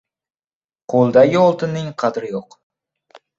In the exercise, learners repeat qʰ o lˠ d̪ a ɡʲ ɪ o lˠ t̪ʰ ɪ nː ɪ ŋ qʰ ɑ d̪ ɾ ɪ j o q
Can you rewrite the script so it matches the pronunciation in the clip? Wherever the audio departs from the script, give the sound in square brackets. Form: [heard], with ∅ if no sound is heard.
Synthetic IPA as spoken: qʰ o lˠ d̪ a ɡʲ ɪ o lˠ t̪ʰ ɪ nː ɪ ŋ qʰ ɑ d̪ ɾ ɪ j o q